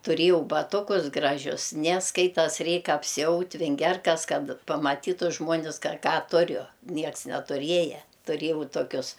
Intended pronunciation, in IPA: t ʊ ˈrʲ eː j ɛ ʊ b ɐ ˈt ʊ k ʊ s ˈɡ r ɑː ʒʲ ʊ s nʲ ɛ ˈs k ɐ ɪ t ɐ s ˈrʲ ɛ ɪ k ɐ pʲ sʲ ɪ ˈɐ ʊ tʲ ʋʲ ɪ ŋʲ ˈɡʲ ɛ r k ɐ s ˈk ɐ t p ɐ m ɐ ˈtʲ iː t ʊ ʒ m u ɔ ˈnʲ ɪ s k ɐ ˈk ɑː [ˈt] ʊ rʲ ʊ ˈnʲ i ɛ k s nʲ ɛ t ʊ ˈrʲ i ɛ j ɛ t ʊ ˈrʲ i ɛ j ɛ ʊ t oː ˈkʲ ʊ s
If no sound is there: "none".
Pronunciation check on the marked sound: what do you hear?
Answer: t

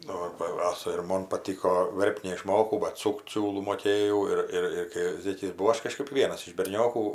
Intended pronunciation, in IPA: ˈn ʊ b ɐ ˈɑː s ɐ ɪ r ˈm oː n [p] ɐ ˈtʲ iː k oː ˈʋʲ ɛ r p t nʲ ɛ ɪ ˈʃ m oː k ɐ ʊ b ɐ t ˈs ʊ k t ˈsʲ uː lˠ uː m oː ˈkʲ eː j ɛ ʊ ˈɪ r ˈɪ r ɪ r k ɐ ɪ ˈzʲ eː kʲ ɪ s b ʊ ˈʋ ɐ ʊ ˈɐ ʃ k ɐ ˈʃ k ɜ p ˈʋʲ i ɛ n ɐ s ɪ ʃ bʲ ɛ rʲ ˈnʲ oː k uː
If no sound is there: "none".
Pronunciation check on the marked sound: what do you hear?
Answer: p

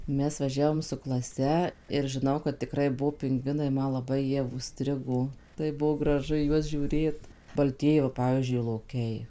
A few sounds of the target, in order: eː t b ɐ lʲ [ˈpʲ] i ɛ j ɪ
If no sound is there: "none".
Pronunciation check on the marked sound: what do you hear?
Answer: tʲ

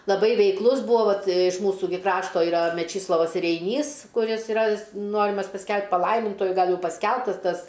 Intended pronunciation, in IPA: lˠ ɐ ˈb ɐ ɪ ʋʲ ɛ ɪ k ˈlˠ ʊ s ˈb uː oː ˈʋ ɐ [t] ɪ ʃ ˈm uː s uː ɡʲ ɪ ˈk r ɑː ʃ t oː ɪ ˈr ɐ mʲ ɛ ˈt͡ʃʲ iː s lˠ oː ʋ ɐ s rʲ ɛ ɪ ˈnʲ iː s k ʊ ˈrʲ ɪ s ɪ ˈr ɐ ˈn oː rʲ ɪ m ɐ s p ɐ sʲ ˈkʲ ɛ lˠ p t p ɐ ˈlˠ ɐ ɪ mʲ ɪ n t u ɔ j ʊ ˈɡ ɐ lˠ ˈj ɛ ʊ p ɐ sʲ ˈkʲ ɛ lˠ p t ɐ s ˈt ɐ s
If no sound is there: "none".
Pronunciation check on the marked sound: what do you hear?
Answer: t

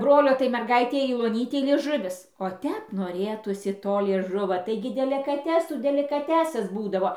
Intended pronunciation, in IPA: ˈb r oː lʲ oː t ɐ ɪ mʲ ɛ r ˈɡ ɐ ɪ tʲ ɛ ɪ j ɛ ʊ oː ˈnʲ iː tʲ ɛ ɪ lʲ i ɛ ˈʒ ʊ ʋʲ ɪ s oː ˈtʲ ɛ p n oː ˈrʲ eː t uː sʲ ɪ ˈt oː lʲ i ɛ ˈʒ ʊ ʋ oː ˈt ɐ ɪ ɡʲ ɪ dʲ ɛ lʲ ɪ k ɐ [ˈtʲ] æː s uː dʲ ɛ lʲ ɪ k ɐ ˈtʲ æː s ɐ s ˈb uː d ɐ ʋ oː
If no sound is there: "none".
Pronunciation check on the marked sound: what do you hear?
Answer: tʲ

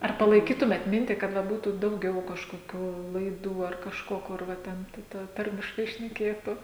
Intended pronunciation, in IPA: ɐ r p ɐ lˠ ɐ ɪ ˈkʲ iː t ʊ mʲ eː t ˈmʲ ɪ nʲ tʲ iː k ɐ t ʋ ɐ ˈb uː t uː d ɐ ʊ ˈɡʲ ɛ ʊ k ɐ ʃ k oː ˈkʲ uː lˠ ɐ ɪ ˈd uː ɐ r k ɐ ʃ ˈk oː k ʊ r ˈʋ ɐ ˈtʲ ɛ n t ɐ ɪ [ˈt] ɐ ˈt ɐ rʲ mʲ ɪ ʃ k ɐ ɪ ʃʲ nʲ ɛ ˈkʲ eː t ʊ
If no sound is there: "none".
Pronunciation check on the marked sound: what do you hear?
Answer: t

